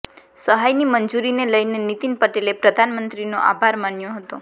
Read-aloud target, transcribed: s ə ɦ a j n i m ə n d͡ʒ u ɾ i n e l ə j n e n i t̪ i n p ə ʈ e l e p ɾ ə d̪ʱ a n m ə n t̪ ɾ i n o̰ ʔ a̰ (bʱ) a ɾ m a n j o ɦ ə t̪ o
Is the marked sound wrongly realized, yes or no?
no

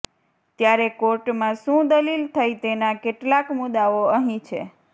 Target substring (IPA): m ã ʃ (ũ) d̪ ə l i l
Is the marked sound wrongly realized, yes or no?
no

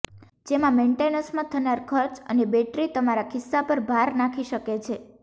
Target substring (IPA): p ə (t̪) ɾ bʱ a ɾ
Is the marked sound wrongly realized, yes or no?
yes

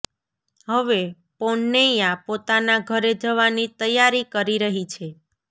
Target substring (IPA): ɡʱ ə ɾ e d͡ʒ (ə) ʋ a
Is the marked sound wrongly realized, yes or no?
no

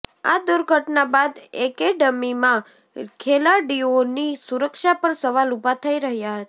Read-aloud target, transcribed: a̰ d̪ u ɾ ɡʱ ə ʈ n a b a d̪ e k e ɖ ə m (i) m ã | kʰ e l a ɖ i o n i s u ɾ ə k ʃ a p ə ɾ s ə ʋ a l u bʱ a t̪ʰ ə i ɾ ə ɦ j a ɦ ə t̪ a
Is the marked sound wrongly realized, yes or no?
no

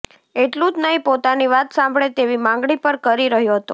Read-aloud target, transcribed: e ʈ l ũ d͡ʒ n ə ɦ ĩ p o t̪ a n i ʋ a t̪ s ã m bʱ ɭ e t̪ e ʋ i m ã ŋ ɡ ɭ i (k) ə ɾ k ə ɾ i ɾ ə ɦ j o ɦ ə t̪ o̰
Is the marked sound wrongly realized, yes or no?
yes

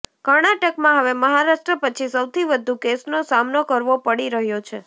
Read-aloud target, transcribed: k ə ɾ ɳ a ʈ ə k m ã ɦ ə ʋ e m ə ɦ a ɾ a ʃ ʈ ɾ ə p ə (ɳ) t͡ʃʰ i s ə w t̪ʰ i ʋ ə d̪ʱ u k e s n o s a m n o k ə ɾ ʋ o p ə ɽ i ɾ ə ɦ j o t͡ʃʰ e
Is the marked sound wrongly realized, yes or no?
yes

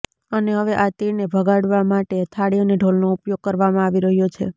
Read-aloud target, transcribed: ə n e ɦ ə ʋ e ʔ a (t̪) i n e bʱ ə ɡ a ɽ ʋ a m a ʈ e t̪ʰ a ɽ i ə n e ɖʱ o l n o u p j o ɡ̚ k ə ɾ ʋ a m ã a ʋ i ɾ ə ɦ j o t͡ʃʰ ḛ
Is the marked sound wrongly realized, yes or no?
no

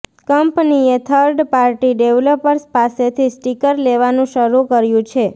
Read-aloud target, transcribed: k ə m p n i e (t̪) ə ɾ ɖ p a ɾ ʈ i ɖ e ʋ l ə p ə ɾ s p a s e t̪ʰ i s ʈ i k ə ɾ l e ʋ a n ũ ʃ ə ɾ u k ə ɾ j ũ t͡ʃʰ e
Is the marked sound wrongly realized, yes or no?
yes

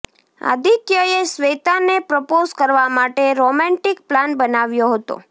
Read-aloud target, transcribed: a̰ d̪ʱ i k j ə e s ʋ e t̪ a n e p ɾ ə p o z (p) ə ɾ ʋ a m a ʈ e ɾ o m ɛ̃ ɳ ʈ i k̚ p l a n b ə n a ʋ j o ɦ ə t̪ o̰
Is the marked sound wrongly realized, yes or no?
yes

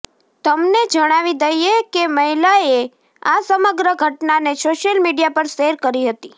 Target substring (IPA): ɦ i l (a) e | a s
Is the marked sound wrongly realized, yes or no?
no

